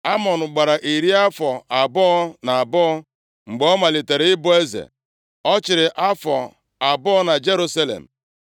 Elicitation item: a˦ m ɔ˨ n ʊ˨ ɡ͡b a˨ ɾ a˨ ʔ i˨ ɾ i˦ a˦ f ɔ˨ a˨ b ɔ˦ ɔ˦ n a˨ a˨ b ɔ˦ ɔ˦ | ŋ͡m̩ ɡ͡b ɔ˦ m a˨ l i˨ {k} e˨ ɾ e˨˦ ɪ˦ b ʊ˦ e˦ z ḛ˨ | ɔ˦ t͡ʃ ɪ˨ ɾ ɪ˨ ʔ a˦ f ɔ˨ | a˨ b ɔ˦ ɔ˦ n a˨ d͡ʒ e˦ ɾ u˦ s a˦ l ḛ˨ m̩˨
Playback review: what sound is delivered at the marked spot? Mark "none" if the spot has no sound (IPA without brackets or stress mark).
t